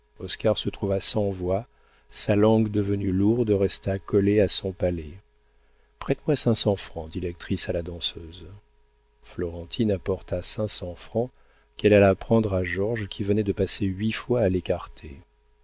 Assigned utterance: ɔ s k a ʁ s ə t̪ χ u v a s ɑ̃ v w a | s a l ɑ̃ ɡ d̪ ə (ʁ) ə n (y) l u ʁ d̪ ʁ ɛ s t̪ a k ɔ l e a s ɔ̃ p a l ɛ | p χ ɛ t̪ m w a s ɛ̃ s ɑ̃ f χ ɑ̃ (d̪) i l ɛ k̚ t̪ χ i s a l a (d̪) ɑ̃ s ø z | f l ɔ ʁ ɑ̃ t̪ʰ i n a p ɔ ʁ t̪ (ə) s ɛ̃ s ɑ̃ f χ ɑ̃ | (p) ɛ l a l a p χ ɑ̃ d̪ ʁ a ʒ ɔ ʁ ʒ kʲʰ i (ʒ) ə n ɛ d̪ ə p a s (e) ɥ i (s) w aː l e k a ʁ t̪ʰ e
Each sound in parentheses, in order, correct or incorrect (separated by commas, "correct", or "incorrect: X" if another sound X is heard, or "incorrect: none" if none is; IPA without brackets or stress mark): incorrect: v, correct, correct, correct, incorrect: a, incorrect: k, incorrect: v, correct, incorrect: f